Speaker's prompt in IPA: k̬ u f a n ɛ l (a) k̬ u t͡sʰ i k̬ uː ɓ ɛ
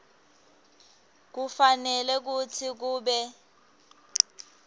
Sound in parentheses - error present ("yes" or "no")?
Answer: yes